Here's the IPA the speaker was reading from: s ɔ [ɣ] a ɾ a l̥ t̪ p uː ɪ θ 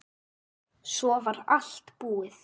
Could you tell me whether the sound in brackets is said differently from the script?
yes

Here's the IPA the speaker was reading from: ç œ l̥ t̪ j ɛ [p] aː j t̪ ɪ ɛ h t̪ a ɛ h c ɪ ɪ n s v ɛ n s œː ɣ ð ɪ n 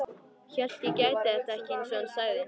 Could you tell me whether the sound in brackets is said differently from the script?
yes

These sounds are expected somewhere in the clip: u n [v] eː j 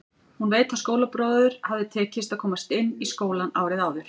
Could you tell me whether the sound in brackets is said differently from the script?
no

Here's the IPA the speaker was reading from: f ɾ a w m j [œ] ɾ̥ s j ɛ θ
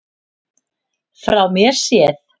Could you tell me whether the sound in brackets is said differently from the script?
yes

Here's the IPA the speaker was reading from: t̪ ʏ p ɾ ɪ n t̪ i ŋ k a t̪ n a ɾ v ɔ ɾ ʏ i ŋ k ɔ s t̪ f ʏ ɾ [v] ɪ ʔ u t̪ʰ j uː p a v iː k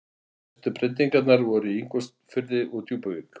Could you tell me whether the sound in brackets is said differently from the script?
yes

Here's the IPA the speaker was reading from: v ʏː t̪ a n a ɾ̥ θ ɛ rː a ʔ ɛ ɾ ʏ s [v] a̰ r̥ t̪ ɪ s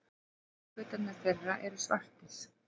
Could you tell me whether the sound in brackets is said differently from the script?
no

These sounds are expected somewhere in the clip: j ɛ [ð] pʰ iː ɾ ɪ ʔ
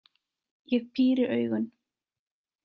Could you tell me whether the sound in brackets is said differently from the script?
yes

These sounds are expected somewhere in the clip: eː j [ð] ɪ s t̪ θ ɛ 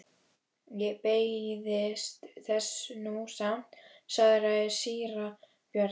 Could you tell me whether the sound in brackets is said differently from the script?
no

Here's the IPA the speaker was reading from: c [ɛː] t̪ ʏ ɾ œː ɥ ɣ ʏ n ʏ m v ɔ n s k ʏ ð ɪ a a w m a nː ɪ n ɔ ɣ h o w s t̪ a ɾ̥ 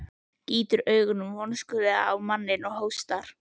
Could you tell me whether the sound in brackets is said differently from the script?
yes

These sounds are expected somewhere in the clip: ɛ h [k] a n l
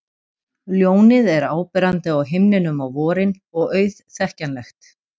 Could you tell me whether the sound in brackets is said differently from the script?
yes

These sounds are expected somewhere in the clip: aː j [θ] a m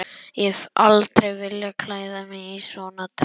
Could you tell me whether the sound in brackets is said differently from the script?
yes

